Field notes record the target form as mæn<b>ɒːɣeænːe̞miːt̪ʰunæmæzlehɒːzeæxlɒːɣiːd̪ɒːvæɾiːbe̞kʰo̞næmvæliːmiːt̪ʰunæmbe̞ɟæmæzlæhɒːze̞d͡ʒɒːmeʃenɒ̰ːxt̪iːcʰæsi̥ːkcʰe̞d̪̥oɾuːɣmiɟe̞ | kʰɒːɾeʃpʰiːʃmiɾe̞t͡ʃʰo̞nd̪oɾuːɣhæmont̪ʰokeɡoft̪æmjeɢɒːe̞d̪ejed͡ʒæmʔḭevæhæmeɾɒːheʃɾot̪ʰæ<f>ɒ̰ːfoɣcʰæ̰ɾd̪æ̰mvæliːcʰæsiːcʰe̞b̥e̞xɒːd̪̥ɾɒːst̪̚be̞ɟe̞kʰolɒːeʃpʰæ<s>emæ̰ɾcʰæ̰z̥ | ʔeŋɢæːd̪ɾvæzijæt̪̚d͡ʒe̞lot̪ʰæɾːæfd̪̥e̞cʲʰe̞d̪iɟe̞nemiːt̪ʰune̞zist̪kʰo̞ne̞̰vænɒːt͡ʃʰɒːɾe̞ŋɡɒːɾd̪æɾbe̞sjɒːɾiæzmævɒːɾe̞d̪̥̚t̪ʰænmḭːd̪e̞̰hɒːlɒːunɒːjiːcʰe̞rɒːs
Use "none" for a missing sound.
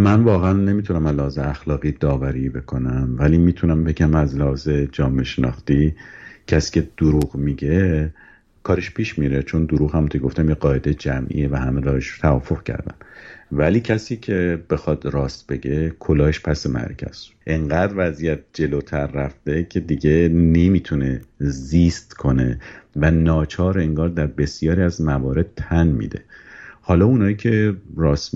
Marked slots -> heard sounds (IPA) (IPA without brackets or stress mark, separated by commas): v, v, s